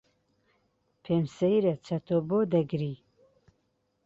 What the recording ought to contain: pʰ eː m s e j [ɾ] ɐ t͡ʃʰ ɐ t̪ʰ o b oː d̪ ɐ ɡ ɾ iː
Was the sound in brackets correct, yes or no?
yes